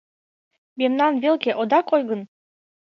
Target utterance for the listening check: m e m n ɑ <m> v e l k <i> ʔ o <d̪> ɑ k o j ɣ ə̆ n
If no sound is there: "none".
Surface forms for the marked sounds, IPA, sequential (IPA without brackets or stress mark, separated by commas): n, e, d̪